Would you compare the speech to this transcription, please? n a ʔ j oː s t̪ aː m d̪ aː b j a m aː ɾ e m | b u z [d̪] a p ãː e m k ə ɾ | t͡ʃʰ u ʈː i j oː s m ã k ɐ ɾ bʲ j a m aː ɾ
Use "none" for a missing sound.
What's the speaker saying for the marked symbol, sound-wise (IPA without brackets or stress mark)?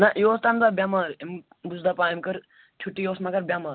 d̪